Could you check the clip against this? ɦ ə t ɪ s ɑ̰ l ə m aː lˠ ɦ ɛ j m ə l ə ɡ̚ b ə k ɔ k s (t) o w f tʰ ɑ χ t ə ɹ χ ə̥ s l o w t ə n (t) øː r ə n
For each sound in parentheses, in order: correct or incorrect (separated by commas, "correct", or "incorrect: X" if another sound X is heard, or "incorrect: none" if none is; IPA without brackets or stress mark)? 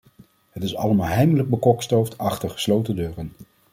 correct, incorrect: d